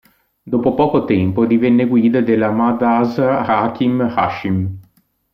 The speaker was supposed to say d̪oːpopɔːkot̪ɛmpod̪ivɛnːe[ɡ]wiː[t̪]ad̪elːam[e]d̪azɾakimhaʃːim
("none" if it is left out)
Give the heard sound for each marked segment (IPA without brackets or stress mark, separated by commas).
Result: ɡ, d̪, a